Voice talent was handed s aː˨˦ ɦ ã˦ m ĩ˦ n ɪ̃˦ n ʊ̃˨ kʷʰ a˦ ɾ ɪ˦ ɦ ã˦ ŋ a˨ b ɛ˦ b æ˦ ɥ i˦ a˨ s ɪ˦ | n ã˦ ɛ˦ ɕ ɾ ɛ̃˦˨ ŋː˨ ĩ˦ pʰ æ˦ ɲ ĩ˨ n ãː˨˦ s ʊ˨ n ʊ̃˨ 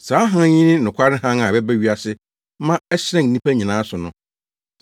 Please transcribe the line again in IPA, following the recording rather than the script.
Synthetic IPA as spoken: s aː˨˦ ɦ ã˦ ɲ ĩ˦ n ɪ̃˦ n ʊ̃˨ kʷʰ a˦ ɾ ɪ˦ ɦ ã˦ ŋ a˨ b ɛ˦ b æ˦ ɥ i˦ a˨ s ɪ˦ | m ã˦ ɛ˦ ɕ ɾ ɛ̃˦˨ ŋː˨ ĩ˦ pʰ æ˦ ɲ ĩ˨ n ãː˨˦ s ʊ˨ n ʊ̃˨

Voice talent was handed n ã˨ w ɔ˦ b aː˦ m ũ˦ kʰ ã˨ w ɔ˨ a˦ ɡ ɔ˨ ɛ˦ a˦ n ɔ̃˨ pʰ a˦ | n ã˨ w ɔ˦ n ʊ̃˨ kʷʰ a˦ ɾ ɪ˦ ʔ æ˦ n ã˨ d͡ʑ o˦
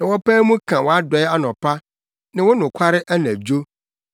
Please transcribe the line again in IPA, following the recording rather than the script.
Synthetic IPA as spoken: n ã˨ w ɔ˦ p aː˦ m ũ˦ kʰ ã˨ w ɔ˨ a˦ d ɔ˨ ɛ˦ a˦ n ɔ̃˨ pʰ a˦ | n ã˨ w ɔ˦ n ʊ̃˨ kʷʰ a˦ ɾ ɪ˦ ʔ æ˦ n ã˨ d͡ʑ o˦

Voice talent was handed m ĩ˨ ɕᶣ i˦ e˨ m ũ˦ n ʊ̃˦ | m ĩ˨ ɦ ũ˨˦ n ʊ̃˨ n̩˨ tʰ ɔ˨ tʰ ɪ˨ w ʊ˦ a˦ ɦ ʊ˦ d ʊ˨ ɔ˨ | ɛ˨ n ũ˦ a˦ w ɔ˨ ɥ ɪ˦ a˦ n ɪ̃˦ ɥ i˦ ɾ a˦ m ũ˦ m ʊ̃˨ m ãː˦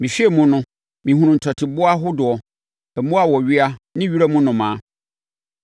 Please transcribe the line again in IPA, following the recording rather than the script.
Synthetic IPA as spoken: m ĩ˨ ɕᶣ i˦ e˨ m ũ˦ n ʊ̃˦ | m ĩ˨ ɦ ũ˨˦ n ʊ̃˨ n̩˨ tʰ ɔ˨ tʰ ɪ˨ b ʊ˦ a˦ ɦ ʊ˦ d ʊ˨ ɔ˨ | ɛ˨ m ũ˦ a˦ w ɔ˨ ɥ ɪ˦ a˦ n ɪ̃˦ ɥ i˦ ɾ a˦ m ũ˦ n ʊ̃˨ m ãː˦

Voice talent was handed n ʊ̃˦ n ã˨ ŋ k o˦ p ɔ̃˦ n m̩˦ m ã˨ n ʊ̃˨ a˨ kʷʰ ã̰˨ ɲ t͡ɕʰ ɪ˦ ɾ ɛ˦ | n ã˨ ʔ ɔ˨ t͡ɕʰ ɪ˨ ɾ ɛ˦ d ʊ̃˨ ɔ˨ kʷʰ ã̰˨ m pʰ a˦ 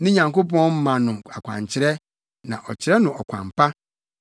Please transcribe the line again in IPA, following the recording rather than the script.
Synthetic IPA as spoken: n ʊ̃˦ ɲ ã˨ ŋ k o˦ p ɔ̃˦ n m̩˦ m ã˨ n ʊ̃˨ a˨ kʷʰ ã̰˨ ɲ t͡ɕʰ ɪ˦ ɾ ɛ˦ | n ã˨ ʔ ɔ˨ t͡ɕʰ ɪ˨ ɾ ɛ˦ n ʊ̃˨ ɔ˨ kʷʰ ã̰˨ m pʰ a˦

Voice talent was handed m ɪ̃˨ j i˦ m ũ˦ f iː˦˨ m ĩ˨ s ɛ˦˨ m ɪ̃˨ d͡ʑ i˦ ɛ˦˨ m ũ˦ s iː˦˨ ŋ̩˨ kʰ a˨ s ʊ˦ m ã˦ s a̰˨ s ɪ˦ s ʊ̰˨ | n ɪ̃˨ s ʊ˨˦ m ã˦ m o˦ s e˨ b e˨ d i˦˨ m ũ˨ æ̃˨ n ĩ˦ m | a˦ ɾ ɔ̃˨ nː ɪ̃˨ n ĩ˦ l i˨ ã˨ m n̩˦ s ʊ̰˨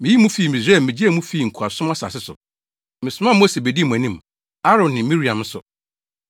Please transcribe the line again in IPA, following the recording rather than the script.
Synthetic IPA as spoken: m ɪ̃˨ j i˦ m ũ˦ f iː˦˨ m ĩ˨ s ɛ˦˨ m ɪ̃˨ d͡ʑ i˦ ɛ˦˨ m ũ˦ f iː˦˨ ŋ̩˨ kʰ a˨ s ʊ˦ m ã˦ s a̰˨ s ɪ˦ s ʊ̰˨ | m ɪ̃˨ s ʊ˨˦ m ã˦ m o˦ s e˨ b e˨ d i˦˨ m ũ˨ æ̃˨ n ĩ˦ m | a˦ ɾ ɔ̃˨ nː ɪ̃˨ m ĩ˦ ɾ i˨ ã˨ m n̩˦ s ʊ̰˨

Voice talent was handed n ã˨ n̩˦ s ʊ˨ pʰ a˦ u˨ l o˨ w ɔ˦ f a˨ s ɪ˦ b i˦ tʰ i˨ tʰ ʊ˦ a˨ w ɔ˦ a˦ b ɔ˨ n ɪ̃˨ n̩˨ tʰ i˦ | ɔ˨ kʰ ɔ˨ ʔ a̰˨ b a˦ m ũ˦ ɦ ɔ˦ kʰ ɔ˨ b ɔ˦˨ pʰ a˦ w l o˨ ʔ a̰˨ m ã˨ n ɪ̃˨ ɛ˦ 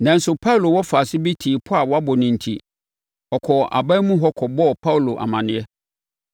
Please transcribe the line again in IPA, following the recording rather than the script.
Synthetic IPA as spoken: n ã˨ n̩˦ s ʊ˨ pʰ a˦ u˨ l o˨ w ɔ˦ f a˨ s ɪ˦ b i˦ tʰ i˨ pʰ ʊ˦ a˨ w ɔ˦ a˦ b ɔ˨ n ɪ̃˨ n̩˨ tʰ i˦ | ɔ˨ kʰ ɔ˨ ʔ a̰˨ b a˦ m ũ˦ ɦ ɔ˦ kʰ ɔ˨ b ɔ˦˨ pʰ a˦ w l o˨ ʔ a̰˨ m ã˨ n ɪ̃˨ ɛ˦

